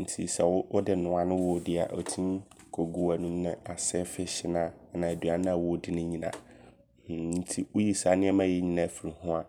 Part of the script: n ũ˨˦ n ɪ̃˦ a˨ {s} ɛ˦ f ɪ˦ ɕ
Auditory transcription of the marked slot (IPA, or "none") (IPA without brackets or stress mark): s